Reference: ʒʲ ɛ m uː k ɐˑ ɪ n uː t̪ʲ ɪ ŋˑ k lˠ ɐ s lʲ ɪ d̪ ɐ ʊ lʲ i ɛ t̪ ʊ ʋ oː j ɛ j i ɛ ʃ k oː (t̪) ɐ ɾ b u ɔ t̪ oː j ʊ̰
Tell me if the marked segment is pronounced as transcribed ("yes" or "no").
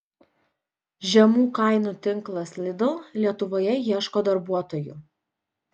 no